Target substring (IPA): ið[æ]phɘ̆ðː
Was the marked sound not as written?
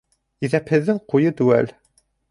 no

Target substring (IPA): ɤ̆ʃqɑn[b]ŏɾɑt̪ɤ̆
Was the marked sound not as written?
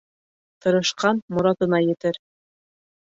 yes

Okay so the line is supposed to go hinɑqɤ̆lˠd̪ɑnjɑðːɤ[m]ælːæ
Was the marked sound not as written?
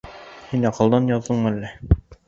yes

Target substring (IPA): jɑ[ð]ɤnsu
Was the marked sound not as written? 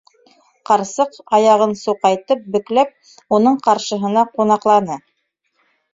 yes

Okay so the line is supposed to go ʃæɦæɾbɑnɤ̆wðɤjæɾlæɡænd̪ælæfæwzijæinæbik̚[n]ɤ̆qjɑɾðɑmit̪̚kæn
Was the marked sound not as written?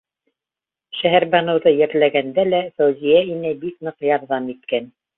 no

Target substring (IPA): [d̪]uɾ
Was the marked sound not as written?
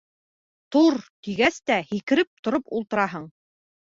yes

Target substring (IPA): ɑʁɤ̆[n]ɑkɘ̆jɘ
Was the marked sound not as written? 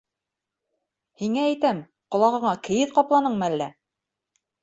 yes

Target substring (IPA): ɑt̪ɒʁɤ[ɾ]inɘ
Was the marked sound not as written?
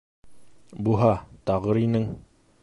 no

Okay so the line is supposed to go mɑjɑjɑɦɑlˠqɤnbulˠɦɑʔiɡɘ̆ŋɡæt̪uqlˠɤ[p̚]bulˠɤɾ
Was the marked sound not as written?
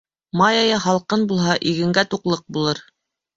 yes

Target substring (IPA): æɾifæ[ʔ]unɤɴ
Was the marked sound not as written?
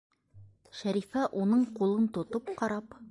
no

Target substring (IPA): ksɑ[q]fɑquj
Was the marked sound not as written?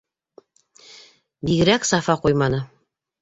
yes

